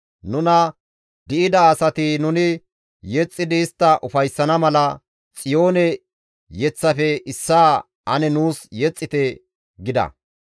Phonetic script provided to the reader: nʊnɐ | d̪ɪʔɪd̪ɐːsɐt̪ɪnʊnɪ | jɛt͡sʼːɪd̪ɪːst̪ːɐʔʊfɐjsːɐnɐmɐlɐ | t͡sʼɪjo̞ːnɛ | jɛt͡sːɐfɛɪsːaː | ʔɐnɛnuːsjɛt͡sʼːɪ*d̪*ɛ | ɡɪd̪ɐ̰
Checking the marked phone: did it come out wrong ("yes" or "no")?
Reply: yes